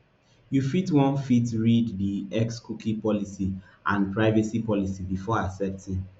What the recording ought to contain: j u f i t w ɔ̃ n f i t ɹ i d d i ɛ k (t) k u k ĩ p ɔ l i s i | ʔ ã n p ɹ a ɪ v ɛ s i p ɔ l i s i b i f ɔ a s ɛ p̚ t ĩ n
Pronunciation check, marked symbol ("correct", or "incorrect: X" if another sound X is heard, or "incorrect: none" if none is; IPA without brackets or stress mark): incorrect: s